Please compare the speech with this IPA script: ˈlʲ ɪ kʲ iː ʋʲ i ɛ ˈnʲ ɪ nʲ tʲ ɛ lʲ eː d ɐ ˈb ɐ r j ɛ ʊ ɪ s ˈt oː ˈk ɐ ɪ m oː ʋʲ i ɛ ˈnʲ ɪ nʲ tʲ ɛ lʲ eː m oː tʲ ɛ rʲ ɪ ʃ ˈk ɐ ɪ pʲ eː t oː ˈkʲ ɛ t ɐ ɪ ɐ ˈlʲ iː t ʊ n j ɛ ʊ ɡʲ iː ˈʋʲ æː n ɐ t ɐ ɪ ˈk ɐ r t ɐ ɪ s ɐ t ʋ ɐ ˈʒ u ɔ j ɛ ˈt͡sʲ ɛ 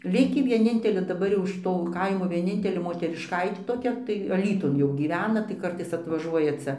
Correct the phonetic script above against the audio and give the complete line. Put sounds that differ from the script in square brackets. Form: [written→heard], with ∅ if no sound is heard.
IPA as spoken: ˈlʲ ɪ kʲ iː ʋʲ i ɛ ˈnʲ ɪ nʲ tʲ ɛ lʲ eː d ɐ ˈb ɐ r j ɛ ʊ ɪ [s→ʃ] ˈt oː ˈk ɐ ɪ m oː ʋʲ i ɛ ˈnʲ ɪ nʲ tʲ ɛ lʲ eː m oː tʲ ɛ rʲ ɪ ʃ ˈk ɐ ɪ [pʲ→tʲ] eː t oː ˈkʲ ɛ t ɐ ɪ ɐ ˈlʲ iː t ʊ n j ɛ ʊ ɡʲ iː ˈʋʲ æː n ɐ t ɐ ɪ ˈk ɐ r t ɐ ɪ s ɐ t ʋ ɐ ˈʒ u ɔ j ɛ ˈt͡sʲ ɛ